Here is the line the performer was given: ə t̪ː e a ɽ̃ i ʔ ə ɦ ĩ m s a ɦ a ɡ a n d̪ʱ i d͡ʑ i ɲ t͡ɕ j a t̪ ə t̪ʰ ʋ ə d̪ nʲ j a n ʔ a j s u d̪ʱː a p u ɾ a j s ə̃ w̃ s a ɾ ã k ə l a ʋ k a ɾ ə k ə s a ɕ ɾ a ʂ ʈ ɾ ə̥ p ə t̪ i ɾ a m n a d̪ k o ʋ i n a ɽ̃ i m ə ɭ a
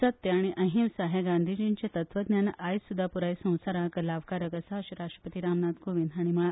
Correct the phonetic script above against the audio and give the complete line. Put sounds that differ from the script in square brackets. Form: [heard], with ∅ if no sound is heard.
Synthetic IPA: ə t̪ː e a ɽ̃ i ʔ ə ɦ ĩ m s a ɦ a ɡ a n d̪ʱ i d͡ʑ i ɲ t͡ɕ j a t̪ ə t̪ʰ ʋ ə d̪ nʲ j a n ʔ a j s u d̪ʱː a p u ɾ a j s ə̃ w̃ s a ɾ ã k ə l a ʋ k a ɾ ə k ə s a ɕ ɾ a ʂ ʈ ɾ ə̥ p ə t̪ i ɾ a m n a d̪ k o ʋ i n a ɽ̃ i m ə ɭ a

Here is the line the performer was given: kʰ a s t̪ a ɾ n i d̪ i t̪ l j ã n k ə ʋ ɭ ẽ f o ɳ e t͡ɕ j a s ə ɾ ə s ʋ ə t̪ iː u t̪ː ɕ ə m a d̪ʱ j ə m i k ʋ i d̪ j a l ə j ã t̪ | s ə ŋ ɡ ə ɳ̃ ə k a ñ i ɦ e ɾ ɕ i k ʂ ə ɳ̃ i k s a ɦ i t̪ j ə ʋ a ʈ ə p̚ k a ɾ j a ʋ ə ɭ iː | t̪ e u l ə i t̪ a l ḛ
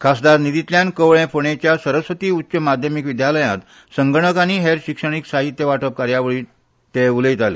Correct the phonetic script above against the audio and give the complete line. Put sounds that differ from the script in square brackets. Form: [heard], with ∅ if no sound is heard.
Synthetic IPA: kʰ a s [d̪] a ɾ n i d̪ i t̪ l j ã n k ə ʋ ɭ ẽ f o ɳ e t͡ɕ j a s ə ɾ ə s ʋ ə t̪ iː u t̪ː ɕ ə m a d̪ʱ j ə m i k ʋ i d̪ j a l ə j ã t̪ | s ə ŋ ɡ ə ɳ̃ ə k a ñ i ɦ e ɾ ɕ i k ʂ ə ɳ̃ i k s a ɦ i t̪ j ə ʋ a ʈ ə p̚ k a ɾ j a ʋ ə ɭ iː | t̪ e u l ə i t̪ a l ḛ

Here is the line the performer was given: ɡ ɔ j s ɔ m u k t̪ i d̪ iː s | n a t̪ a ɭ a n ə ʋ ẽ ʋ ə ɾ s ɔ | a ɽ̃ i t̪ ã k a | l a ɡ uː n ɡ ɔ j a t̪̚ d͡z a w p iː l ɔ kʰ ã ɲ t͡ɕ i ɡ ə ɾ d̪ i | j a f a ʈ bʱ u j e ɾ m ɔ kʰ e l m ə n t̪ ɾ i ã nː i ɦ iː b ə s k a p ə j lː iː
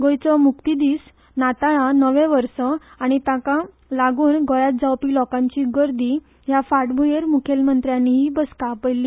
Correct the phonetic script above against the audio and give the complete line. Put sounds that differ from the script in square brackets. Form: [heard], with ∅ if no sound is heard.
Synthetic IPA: ɡ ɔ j [t͡s] ɔ m u k t̪ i d̪ iː s | n a t̪ a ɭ a n ə ʋ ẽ ʋ ə ɾ s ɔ | a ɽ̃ i t̪ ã k a | l a ɡ uː n ɡ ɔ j a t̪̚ d͡z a w p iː l ɔ [k] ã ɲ t͡ɕ i ɡ ə ɾ d̪ i | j a f a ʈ bʱ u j e ɾ m [u] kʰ e l m ə n t̪ ɾ [j] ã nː i ɦ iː b ə s k a p ə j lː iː

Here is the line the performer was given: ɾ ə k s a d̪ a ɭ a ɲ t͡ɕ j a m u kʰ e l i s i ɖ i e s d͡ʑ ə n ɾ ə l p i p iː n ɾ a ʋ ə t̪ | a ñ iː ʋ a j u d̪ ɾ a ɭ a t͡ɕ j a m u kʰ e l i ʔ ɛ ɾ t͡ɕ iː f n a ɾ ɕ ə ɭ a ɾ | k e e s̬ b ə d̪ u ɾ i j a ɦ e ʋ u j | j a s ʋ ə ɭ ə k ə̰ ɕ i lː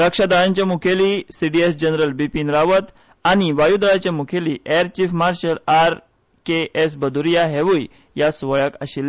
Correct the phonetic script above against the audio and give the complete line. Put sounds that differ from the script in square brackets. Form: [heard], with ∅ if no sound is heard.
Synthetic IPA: ɾ ə k [ʂ] a d̪ a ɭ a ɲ t͡ɕ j a m u kʰ e l i s i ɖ i e s d͡ʑ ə n ɾ ə l [b] i p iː n ɾ a ʋ ə t̪ | a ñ [i] ʋ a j u d̪ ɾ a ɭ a t͡ɕ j a m u kʰ e l i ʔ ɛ ɾ t͡ɕ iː f [m] a ɾ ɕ ə [l] a ɾ | k e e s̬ b ə d̪ u ɾ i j a ɦ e ʋ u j | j a s ʋ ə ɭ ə k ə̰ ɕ i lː

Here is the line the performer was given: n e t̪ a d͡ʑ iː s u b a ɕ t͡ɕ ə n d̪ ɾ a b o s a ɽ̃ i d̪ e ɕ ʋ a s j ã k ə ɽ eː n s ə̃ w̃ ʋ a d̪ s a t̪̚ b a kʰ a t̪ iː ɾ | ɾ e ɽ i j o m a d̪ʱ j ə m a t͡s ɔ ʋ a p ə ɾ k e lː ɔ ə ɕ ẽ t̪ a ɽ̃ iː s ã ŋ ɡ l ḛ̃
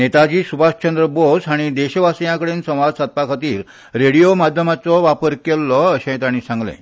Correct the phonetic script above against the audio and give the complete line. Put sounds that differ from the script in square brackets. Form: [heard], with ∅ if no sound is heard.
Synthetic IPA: n e t̪ a d͡ʑ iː s u b a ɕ t͡ɕ ə n d̪ ɾ [ə] b o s a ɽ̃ i d̪ e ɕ ʋ a s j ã k ə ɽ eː n s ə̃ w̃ ʋ a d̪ s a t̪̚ [p] a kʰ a t̪ iː ɾ | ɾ e ɽ i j o m a d̪ʱ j ə m a t͡s ɔ ʋ a p ə ɾ k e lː ɔ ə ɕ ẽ t̪ a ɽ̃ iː s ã ŋ ɡ l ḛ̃

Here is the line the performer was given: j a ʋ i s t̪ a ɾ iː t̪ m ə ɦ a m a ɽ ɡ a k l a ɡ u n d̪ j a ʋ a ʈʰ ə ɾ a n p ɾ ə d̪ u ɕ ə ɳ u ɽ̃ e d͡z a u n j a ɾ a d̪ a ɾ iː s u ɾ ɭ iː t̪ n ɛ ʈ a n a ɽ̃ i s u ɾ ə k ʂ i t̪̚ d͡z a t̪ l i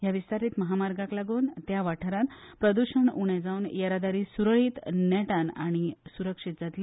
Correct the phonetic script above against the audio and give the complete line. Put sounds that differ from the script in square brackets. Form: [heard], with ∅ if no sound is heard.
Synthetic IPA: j a ʋ i s t̪ a ɾ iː t̪ m ə ɦ a m a [ɾ] ɡ a k l a ɡ [uː] n [t̪] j a ʋ a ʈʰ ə ɾ a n p ɾ ə d̪ u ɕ ə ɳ u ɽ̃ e d͡z a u n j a ɾ a d̪ a ɾ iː s u ɾ ɭ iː t̪ n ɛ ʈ a n a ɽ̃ i s u ɾ ə k ʂ i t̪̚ d͡z a t̪ l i

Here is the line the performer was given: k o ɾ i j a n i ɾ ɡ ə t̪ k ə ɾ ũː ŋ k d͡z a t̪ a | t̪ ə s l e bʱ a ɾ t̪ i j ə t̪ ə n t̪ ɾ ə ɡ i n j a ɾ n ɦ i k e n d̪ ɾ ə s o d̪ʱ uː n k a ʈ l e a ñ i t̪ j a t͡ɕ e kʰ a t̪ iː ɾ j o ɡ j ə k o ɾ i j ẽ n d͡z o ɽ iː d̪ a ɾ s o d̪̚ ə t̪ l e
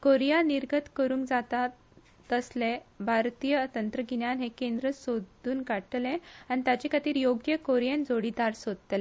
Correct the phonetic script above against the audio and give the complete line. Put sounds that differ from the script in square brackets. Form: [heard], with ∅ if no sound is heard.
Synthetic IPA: k o ɾ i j a n i ɾ ɡ ə t̪ k ə ɾ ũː ŋ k d͡z a t̪ a | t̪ ə s l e bʱ a ɾ t̪ i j ə t̪ ə n t̪ ɾ ə ɡ i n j a [∅] n ɦ [e] k e n d̪ ɾ ə s o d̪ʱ uː n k a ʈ l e a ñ i t̪ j a t͡ɕ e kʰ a t̪ iː ɾ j o ɡ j ə k o ɾ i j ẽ n d͡z o ɽ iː d̪ a ɾ s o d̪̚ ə t̪ l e

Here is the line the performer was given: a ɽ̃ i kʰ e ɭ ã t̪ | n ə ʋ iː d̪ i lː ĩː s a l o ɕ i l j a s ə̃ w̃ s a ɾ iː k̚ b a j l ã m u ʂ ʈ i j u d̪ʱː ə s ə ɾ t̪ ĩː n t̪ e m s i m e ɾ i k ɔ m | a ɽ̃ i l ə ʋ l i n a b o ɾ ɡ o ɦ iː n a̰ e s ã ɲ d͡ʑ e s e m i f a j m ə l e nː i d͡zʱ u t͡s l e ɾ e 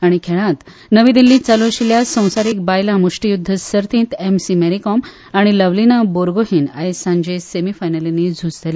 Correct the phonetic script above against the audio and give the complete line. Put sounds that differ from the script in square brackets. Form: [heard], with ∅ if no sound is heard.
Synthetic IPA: a ɽ̃ i kʰ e ɭ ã t̪ | n ə ʋ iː d̪ i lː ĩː [t͡s] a l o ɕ i l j a s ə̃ w̃ s a ɾ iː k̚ b a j l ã m u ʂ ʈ i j u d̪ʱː ə s ə ɾ t̪ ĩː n t̪ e m s i m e ɾ i k ɔ m | a ɽ̃ i l ə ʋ l i n a b o ɾ ɡ o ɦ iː n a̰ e s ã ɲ d͡ʑ e s e m i f a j [n] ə l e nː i d͡zʱ u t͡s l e [l] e

